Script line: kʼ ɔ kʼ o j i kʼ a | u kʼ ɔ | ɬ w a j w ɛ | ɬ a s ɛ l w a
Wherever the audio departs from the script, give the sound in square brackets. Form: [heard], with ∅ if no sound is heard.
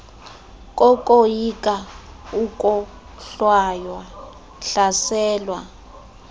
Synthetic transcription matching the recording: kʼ ɔ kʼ o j i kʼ a | u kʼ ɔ | ɬ w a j w [a] | ɬ a s [ɛː] l w a